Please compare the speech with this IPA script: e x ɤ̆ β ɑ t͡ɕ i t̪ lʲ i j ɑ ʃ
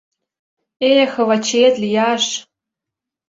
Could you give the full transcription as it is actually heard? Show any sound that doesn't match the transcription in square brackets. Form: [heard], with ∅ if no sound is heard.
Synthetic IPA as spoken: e x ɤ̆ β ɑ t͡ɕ [e] t̪ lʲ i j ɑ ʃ